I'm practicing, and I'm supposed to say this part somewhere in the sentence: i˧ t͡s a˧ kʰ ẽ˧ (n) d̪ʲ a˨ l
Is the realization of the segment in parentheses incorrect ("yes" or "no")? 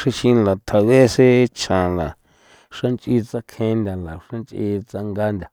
no